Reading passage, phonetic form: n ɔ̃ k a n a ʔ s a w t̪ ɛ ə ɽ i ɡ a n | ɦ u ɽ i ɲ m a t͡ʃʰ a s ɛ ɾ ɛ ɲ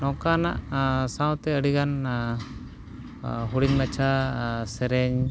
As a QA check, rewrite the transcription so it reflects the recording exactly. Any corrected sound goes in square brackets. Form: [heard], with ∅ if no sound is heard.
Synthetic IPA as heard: n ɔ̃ k a n a ʔ s a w t̪ ɛ ə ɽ i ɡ a n | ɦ u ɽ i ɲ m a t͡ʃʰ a s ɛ ɾ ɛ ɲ